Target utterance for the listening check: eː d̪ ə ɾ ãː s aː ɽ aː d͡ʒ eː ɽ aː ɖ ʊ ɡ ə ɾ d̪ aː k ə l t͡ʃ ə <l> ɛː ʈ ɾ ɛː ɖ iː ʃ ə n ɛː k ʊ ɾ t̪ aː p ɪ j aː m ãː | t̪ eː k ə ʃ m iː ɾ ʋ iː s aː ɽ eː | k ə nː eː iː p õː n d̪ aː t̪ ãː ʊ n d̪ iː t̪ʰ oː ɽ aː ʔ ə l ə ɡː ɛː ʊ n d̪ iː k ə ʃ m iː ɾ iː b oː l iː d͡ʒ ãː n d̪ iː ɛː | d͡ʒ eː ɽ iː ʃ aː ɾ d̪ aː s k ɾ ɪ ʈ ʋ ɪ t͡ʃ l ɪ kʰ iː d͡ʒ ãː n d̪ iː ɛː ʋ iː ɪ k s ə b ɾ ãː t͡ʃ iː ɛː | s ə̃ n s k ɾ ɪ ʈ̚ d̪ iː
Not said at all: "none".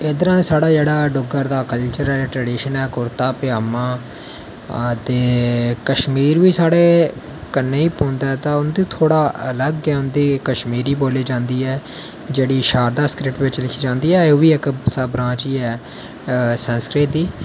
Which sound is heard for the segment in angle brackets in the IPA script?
ɾ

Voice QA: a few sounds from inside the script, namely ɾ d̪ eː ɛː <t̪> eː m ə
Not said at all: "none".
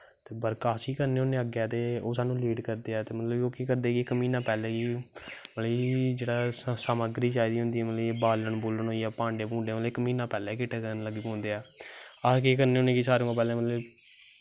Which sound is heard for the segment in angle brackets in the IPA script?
t̪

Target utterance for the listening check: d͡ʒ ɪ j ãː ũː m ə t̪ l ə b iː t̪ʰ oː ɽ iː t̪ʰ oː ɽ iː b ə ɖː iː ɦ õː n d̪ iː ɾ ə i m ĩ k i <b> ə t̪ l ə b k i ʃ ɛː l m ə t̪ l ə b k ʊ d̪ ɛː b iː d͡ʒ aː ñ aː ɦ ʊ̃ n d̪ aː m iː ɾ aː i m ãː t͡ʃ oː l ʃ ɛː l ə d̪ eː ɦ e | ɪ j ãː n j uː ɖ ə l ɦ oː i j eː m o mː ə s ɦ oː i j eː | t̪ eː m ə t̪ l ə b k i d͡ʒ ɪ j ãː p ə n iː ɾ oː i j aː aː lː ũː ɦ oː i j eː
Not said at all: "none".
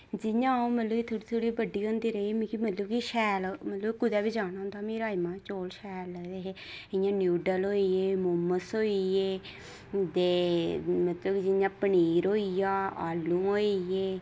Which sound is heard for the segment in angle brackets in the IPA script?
m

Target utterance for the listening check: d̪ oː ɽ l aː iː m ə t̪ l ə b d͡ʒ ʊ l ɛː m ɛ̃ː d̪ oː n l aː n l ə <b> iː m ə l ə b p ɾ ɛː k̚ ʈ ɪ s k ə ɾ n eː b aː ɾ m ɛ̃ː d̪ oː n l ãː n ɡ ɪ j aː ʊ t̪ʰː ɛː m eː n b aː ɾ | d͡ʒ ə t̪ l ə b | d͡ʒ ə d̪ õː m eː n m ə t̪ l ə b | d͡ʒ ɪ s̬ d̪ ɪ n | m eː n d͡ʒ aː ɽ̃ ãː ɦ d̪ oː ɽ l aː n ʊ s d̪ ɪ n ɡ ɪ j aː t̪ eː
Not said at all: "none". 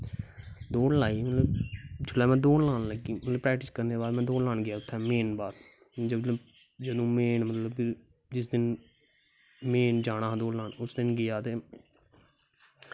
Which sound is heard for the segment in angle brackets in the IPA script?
ɡ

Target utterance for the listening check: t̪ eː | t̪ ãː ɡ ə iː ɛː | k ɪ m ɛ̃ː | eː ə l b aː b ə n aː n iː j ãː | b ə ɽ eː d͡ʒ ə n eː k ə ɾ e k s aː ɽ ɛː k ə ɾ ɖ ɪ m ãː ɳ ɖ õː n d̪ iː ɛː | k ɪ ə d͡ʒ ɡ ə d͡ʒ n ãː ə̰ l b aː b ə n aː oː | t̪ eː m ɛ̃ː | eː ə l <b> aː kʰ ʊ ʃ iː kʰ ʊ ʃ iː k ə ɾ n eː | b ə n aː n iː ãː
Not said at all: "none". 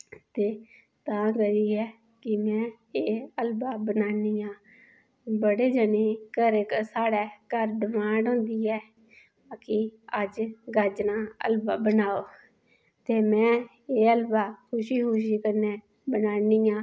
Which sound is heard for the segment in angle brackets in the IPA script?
b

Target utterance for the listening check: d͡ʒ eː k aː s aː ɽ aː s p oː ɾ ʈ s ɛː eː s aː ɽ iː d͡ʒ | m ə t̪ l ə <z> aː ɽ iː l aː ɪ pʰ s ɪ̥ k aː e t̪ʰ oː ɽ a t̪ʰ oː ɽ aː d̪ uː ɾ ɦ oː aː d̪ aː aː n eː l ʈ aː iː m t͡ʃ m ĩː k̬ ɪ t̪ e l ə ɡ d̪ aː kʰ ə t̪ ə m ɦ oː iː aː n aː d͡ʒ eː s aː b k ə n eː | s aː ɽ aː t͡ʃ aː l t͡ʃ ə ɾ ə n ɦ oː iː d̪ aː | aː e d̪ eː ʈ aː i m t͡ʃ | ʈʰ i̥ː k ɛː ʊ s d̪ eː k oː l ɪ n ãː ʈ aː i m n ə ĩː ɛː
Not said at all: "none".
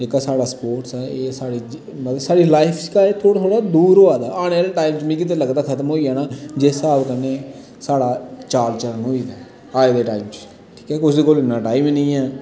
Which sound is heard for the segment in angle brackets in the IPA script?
s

